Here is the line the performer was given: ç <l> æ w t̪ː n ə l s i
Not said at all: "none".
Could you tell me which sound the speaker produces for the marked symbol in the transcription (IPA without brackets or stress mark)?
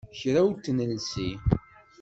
ɾ